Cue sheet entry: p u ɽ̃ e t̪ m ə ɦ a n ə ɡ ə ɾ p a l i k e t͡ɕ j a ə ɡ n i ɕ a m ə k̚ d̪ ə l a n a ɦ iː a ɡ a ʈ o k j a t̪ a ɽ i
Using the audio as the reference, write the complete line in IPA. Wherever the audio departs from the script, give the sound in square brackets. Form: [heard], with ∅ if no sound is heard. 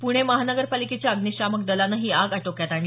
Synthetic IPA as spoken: p u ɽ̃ e [∅] m ə ɦ a n ə ɡ ə ɾ p a l i k e t͡ɕ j a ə ɡ n i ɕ a m ə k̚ d̪ ə l a n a ɦ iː a ɡ a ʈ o k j a t̪ a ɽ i